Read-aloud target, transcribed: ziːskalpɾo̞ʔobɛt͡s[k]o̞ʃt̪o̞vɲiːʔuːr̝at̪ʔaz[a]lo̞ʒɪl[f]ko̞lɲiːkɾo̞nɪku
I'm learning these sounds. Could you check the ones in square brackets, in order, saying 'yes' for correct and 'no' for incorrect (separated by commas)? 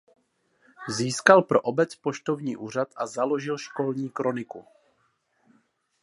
no, yes, no